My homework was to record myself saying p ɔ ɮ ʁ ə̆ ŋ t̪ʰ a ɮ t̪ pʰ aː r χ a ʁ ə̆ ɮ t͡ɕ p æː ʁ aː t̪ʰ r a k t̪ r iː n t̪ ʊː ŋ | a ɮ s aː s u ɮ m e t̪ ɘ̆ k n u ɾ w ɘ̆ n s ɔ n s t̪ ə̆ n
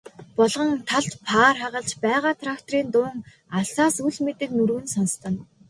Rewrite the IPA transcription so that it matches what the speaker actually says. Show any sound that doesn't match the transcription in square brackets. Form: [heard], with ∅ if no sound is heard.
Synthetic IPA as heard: p ɔ ɮ ʁ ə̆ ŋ t̪ʰ a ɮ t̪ pʰ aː r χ a ʁ ə̆ ɮ t͡ɕ p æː ʁ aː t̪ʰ r a k t̪ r iː n t̪ ʊː ŋ | a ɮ s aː s u ɮ m e t̪ ɘ̆ k n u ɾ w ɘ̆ n s ɔ n s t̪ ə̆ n